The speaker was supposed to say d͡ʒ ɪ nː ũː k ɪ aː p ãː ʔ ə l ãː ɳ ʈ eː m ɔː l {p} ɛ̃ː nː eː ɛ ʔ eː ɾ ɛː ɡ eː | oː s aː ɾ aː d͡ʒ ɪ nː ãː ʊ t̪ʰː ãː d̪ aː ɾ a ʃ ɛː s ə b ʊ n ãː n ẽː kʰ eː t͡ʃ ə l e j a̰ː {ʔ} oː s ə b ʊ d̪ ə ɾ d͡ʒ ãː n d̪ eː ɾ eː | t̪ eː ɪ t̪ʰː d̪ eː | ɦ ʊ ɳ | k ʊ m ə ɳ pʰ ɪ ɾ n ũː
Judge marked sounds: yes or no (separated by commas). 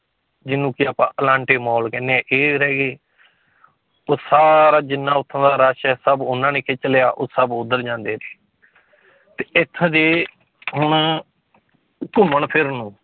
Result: no, yes